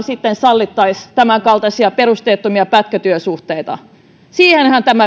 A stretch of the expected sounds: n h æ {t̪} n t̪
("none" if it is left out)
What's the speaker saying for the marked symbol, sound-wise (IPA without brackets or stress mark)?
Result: none